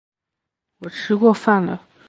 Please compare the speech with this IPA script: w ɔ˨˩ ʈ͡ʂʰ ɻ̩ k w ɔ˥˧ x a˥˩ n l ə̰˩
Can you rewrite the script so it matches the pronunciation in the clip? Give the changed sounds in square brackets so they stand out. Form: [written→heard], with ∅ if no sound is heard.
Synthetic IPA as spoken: w ɔ˨˩ ʈ͡ʂʰ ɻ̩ k w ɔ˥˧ [x→f] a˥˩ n l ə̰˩